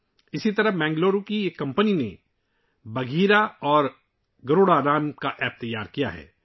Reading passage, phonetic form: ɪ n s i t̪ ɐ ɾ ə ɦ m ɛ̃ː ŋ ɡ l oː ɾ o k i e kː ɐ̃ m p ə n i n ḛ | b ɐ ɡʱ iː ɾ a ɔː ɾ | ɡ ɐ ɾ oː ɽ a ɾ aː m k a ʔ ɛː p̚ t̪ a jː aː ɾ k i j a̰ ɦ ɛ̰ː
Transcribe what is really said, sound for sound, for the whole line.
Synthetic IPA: ɪ s i t̪ ɐ ɾ ə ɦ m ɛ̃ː ŋ ɡ l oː ɾ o k i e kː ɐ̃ m p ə n i n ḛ | b ɐ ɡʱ iː ɾ a ɔː ɾ | ɡ ɐ ɾ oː ɽ a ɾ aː m k a ʔ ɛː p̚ t̪ ɐ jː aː ɾ k i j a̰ ɦ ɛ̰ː